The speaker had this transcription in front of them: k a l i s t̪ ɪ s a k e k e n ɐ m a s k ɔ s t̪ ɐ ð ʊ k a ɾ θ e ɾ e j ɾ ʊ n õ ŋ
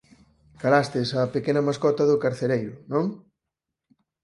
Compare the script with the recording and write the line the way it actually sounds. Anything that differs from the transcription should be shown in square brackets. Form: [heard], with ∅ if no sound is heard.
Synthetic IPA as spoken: k a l [a] s t̪ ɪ s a [p] e k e n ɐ m a s k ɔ [∅] t̪ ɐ ð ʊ k a ɾ θ e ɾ e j ɾ ʊ n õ ŋ